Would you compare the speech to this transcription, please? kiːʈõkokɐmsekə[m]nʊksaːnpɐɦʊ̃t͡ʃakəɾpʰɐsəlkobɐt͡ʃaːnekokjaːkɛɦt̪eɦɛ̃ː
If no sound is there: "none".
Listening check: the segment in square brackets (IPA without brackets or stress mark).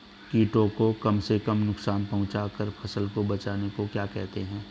m